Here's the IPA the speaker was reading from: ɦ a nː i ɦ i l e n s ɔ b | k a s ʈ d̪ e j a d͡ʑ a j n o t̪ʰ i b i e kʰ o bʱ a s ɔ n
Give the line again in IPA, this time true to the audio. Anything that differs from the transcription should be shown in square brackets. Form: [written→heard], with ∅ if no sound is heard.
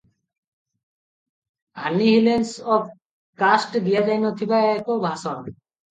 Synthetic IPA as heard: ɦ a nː i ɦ i l e n s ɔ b | k a s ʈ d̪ [e→i] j a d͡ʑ a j n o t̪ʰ i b [i→a] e [kʰ→k] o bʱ a s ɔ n